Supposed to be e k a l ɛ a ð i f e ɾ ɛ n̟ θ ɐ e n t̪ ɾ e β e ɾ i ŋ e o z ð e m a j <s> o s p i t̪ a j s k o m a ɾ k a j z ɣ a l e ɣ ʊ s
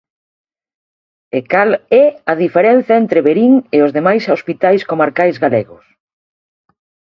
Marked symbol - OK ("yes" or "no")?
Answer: yes